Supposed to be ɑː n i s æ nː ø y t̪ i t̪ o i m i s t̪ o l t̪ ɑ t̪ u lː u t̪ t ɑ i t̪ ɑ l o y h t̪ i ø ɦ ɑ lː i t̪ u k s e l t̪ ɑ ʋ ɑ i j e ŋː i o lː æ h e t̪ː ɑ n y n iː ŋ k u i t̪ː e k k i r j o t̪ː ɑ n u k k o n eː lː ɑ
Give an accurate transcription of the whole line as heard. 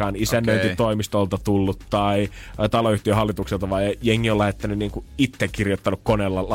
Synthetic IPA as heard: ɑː n i s æ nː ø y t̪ i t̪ o i m i s t̪ o l t̪ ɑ t̪ u lː u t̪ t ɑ i t̪ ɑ l o y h t̪ i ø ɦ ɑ lː i t̪ u k s e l t̪ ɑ ʋ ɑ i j e ŋː i o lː æ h e t̪ː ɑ n y n iː ŋ k u i t̪ː e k k i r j o t̪ː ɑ n u k k o n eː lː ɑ